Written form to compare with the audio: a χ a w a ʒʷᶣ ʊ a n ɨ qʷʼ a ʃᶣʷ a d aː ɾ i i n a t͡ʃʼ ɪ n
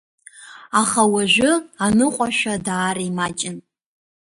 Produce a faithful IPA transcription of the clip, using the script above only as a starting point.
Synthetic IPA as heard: a χ a w a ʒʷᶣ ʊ a n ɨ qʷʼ a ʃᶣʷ a d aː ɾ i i m a t͡ʃʼ ɪ n